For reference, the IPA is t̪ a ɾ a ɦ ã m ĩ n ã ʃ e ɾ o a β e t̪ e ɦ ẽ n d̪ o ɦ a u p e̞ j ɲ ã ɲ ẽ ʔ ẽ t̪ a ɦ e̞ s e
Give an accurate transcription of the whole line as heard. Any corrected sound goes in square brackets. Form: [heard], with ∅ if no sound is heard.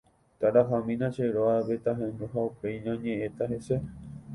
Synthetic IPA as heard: t̪ a ɾ a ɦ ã m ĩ n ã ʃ e ɾ o a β e t̪ [a] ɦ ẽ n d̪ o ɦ a u p e̞ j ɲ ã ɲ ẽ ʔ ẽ t̪ a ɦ e̞ s e